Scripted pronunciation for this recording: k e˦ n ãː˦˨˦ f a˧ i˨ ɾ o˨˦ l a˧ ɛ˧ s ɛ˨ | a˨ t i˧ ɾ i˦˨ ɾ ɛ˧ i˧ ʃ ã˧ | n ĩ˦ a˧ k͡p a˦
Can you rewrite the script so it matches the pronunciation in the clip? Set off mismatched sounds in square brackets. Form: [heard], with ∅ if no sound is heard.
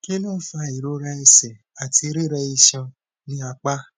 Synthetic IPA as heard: k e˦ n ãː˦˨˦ f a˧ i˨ ɾ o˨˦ [ɾ] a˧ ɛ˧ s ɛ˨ | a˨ t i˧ ɾ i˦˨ ɾ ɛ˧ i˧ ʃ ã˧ | n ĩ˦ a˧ k͡p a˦